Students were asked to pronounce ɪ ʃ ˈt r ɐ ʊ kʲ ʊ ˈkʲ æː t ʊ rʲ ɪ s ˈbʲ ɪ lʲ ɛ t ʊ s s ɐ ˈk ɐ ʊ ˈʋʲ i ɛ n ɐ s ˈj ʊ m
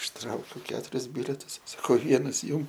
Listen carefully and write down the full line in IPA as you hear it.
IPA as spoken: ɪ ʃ ˈt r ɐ ʊ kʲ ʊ ˈkʲ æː t ʊ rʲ ɪ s ˈbʲ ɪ lʲ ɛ t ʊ s s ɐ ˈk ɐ ʊ ˈʋʲ i ɛ n ɐ s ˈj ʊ m